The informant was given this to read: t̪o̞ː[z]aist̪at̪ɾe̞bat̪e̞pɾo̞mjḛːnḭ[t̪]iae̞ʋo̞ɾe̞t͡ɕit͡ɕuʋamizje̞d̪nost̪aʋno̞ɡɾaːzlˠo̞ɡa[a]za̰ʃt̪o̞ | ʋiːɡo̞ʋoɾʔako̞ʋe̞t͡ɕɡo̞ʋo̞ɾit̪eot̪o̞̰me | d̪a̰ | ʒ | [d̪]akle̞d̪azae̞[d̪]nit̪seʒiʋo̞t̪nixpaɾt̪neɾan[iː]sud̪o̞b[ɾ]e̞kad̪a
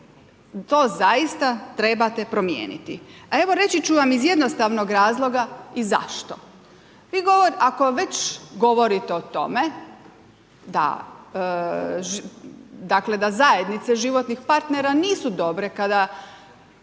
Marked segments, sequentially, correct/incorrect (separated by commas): correct, correct, incorrect, correct, correct, correct, correct